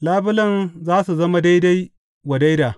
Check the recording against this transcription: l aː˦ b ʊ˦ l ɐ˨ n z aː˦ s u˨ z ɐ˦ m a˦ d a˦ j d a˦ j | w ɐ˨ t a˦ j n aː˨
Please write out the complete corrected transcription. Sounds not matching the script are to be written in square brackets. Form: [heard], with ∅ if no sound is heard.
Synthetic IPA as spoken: l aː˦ b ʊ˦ l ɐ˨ n z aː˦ s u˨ z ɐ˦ m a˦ d a˦ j d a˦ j | w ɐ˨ [d] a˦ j [d] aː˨